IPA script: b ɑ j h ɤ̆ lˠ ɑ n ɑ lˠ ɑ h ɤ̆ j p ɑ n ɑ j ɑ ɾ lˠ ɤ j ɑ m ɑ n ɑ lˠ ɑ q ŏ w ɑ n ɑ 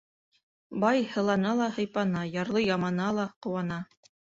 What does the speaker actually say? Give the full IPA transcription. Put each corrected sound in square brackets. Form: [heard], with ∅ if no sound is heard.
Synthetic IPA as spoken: b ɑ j h ɤ̆ lˠ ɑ n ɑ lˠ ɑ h ɤ̆ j p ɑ n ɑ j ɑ ɾ lˠ ɤ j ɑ m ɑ n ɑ lˠ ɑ q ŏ w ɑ n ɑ